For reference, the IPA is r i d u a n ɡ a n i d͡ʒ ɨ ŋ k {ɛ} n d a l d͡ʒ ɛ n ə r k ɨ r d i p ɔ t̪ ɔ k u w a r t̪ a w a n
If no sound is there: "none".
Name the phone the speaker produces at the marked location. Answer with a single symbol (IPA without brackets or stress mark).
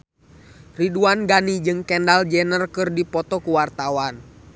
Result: ɛ